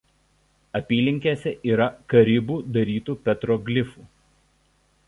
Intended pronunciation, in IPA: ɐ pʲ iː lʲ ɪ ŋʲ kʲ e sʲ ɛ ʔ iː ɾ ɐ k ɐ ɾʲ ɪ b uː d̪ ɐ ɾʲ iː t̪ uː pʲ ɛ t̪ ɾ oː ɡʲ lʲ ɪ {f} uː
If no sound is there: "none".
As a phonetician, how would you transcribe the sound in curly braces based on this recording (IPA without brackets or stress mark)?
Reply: f